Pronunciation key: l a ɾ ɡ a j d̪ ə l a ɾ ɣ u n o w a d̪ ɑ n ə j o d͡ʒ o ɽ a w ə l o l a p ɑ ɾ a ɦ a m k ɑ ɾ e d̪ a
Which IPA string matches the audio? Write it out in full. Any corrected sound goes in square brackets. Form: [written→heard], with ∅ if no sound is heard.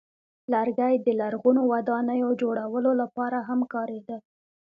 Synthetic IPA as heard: l a ɾ ɡ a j d̪ ə l a ɾ ɣ u n o w a d̪ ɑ n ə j o d͡ʒ o ɽ a w ə l o l a p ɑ ɾ a ɦ a m k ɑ ɾ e d̪ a